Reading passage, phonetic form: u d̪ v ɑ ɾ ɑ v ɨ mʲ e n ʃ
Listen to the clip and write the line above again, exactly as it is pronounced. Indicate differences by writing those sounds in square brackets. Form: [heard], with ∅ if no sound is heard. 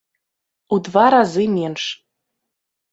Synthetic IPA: u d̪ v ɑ ɾ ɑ [z] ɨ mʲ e n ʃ